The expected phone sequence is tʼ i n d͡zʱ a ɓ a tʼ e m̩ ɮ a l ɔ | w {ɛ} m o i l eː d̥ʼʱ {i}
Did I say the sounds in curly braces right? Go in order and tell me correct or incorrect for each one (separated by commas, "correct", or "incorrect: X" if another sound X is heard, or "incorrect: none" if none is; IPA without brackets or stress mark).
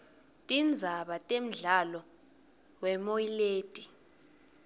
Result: correct, correct